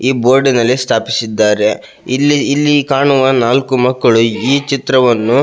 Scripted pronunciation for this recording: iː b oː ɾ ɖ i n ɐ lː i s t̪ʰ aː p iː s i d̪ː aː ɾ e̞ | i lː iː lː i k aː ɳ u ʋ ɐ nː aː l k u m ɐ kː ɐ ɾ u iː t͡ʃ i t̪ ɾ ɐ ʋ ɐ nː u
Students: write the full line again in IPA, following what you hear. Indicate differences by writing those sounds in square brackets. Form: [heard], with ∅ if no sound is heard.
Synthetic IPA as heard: iː b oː ɾ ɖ i n ɐ lː i s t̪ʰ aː p [i] s i d̪ː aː ɾ e̞ | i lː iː lː i k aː ɳ u ʋ ɐ [n] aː l k u m ɐ kː ɐ [ɭ] u iː t͡ʃ i t̪ ɾ ɐ ʋ ɐ nː u